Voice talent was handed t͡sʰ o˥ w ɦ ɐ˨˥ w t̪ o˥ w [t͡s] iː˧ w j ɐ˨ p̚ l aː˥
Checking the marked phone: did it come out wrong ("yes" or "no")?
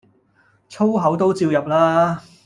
no